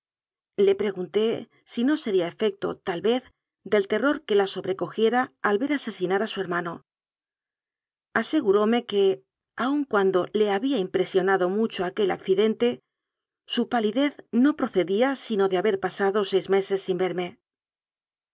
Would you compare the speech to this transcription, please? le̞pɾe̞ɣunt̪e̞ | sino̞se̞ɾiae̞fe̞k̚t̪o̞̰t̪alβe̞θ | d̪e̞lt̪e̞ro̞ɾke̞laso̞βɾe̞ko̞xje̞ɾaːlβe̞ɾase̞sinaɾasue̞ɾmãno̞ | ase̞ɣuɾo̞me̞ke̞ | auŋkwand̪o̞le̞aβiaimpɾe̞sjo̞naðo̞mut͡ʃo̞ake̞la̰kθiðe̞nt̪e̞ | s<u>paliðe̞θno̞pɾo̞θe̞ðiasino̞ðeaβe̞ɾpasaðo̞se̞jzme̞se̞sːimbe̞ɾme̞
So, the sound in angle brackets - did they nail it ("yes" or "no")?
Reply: yes